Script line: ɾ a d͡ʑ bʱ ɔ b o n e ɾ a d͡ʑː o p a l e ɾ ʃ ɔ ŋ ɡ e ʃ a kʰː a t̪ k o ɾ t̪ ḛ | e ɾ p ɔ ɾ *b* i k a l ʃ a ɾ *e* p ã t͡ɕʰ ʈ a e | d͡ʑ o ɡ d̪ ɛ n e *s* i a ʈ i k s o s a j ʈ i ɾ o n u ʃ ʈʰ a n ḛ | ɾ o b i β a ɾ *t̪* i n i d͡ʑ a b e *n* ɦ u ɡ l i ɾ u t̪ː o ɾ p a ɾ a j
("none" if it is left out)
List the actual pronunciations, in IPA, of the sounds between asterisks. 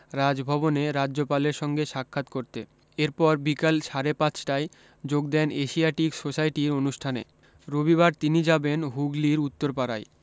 b, e, ʃ, t̪, n

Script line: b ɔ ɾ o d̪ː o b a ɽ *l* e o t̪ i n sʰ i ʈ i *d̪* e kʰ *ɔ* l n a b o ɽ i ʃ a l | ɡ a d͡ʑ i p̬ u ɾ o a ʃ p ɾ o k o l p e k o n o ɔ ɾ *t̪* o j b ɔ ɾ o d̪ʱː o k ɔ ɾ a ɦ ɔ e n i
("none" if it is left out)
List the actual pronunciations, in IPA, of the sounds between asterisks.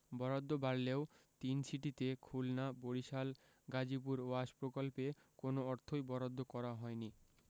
l, t̪, u, t̪ʰ

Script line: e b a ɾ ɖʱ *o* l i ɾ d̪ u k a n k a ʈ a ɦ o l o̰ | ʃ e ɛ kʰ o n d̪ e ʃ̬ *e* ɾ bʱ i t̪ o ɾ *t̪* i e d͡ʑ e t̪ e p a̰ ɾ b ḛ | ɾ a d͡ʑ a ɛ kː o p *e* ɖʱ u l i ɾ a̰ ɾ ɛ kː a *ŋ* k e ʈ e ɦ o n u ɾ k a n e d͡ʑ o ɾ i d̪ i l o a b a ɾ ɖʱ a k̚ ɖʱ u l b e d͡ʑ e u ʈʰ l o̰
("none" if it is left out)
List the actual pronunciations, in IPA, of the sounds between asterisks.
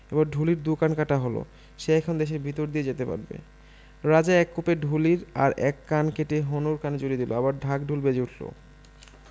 u, e, d̪, e, n

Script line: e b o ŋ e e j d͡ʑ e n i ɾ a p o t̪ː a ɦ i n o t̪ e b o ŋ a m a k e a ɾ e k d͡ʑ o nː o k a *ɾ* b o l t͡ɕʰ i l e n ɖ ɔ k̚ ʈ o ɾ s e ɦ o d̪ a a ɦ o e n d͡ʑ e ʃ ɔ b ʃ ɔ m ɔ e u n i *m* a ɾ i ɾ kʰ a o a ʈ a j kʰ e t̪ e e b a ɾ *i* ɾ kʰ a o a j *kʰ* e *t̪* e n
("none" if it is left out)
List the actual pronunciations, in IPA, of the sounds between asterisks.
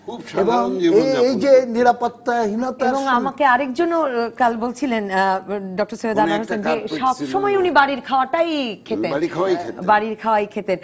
l, b, i, kʰ, t̪

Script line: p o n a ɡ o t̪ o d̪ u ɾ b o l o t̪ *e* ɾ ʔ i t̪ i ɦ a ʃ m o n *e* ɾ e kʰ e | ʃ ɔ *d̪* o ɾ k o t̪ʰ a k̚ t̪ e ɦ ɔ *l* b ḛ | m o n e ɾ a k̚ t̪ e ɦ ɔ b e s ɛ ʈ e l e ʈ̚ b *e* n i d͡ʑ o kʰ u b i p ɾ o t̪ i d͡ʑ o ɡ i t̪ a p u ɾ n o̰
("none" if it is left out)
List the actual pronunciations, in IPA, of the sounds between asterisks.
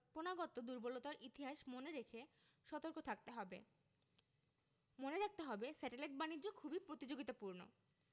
a, e, t̪, none, a

